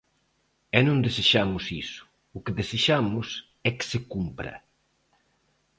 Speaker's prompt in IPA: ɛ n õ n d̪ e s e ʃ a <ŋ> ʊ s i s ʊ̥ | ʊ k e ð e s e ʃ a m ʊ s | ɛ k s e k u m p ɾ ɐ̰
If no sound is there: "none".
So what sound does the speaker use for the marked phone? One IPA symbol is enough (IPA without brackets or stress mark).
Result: m